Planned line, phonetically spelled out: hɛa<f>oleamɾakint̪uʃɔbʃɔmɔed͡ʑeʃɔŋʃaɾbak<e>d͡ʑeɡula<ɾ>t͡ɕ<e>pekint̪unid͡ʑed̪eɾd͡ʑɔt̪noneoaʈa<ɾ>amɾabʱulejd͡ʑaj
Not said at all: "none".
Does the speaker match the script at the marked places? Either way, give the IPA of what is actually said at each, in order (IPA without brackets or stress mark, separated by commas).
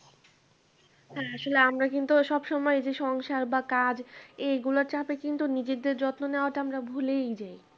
ʃ, a, ɾ, a, none